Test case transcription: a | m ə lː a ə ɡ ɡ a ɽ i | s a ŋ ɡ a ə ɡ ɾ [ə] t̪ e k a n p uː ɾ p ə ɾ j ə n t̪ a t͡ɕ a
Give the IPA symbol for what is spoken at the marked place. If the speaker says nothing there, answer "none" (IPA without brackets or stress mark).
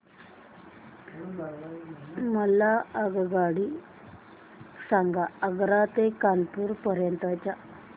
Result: a